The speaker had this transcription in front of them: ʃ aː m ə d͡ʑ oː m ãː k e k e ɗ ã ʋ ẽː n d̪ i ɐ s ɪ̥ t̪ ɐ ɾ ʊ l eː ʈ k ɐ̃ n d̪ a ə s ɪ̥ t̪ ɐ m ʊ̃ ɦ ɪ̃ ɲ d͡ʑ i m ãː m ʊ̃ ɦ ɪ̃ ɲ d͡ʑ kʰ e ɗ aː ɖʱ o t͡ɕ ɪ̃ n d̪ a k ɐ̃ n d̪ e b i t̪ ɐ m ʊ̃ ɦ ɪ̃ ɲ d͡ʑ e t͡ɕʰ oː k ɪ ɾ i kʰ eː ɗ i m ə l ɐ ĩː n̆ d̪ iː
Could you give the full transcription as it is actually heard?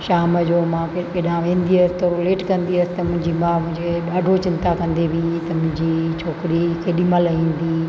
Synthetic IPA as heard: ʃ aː m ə d͡ʑ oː m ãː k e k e ɗ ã ʋ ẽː n d̪ i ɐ s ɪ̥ t̪ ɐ ɾ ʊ l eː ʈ k ɐ̃ n d̪ i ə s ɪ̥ t̪ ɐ m ʊ̃ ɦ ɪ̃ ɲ d͡ʑ i m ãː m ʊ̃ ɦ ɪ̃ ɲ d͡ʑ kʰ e ɗ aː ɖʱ o t͡ɕ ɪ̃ n t̪ a k ɐ̃ n d̪ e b i t̪ ɐ m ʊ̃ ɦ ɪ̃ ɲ d͡ʑ i t͡ɕʰ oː k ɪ ɾ i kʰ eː ɗ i m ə l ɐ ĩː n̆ d̪ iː